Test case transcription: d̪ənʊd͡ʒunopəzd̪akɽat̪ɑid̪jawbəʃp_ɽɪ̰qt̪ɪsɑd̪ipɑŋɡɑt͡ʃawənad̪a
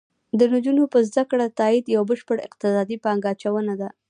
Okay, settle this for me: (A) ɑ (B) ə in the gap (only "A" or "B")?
B